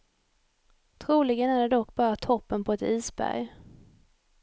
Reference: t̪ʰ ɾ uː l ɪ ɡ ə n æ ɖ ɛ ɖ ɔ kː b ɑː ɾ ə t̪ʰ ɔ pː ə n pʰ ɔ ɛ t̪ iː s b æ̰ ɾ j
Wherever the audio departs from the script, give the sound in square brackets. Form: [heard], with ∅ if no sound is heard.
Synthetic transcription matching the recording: t̪ʰ ɾ uː l ɪ ɡ ə n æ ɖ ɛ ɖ ɔ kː b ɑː ɾ [a] t̪ʰ ɔ pː ə n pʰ ɔ ɛ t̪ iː s b æ̰ ɾ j